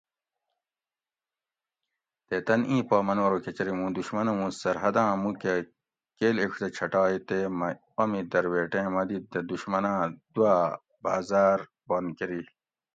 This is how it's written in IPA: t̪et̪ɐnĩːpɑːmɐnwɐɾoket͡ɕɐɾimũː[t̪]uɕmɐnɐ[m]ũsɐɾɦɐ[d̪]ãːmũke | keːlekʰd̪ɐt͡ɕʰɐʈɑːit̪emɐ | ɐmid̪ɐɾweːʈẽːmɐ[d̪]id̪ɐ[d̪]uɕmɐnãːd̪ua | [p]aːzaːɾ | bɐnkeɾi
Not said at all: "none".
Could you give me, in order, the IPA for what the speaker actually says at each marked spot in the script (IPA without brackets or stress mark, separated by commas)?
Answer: d̪, m, d̪, d̪, d̪, b